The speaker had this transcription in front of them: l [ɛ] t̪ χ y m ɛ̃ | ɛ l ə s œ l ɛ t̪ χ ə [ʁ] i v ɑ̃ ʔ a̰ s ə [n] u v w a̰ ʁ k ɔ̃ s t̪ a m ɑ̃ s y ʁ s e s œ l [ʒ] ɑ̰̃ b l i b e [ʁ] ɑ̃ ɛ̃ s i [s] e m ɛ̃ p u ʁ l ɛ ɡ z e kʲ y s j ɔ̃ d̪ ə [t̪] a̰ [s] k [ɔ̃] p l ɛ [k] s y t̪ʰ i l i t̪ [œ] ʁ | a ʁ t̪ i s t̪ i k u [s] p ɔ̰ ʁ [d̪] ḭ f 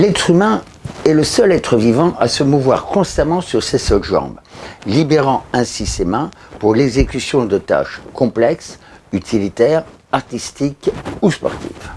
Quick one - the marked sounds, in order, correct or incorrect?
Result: correct, incorrect: v, incorrect: m, correct, correct, correct, correct, incorrect: ʃ, correct, correct, incorrect: ɛ, correct, incorrect: t̪

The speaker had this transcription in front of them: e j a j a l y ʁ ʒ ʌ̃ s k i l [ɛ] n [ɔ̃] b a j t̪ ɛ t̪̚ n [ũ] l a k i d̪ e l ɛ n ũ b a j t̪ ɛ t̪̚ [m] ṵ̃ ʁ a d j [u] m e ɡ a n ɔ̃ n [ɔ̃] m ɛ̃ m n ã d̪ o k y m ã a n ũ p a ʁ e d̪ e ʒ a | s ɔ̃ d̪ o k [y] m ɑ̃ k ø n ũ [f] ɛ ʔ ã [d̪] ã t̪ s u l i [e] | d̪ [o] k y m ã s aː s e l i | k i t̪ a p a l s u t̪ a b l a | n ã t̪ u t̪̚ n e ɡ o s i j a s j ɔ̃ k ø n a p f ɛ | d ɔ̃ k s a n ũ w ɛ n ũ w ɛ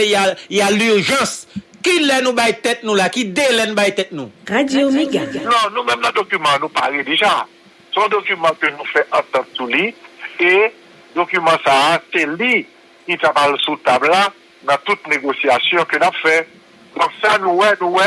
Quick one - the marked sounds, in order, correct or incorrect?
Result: correct, incorrect: ũ, correct, incorrect: n, incorrect: o, incorrect: ũ, correct, correct, incorrect: t̪, correct, correct

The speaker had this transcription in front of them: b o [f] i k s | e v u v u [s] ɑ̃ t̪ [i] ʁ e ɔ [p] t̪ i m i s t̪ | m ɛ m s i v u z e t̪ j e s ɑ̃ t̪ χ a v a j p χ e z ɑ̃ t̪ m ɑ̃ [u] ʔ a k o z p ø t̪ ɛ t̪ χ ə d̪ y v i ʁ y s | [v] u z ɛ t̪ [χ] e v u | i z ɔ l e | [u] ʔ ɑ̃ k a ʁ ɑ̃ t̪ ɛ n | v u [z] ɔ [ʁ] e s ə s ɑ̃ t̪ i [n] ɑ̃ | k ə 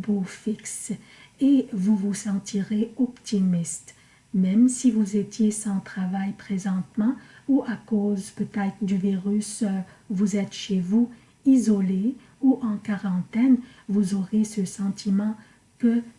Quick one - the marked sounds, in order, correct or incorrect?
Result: correct, correct, correct, correct, correct, correct, incorrect: ʃ, correct, correct, correct, incorrect: m

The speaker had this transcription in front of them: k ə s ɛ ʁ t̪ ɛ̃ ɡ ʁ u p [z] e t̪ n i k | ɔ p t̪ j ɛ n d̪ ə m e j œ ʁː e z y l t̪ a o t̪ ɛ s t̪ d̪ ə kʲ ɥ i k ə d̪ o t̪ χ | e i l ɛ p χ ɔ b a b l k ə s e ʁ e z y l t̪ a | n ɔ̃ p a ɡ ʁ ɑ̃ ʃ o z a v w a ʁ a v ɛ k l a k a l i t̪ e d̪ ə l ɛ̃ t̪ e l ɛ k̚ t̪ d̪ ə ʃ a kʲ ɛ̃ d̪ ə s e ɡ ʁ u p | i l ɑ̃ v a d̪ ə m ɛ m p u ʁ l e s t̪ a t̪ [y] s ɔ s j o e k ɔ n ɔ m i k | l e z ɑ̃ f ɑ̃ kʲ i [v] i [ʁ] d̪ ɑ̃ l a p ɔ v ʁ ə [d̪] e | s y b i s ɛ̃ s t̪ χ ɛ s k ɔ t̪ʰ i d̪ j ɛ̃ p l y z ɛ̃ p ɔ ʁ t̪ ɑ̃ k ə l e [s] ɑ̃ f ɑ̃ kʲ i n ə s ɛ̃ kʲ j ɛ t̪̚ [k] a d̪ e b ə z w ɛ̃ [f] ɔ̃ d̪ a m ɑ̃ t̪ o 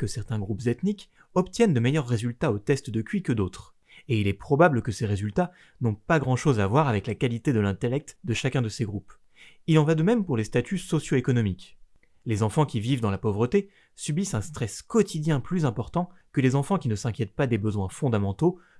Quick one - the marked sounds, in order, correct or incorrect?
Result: correct, correct, correct, incorrect: v, incorrect: t̪, incorrect: z, incorrect: p, correct

